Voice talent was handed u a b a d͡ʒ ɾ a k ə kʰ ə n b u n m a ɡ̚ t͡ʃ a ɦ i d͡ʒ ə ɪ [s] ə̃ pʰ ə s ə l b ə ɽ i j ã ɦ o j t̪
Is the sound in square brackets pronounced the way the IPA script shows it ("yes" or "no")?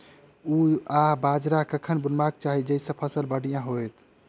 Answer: yes